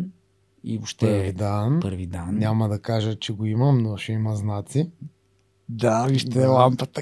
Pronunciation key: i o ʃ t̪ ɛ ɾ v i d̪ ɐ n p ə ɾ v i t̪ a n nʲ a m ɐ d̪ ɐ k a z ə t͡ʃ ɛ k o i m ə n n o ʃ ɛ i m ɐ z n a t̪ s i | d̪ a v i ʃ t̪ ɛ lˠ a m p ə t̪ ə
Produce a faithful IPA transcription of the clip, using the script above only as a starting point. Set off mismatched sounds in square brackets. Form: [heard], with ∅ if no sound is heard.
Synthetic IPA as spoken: i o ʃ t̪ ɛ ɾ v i d̪ [a] n p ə ɾ v i [d̪] a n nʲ a m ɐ d̪ ɐ k a [ʒ] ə t͡ʃ ɛ [ɡ] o i m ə [m] n o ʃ ɛ i m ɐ z n a t̪ s i | d̪ a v i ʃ t̪ ɛ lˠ a m p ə t̪ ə